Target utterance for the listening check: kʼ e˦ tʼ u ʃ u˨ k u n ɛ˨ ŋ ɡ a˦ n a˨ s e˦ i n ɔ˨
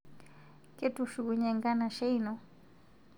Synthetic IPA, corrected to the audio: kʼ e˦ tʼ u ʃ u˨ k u ɲ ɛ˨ ŋ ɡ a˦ n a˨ ʃ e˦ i n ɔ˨